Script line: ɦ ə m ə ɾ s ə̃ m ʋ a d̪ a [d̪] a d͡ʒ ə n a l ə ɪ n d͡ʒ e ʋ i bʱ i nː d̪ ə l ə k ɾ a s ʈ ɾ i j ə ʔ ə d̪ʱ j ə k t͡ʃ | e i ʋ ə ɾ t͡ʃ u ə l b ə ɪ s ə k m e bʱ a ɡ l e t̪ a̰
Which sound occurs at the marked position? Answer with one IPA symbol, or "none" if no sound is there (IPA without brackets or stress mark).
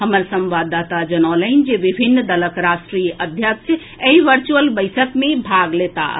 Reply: t̪